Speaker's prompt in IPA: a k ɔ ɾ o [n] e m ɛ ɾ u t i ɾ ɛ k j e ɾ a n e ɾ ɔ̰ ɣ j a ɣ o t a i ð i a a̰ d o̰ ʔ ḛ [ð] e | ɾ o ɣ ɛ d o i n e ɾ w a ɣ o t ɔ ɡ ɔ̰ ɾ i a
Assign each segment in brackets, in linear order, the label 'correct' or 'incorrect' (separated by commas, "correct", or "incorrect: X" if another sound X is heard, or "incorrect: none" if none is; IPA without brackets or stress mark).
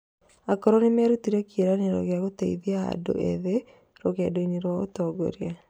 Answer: correct, correct